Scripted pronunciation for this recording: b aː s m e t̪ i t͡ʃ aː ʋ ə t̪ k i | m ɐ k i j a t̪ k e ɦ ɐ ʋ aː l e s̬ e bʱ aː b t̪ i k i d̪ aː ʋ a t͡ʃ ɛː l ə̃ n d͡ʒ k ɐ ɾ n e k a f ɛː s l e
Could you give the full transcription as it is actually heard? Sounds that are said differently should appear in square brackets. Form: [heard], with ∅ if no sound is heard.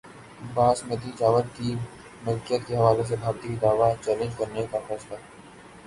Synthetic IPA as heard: b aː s m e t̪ i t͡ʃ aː ʋ ə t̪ k i | m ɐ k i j [ə] t̪ k e ɦ ɐ ʋ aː l e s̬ e bʱ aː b t̪ i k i d̪ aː ʋ a t͡ʃ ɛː l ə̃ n d͡ʒ k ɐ ɾ n e k a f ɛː s l [a]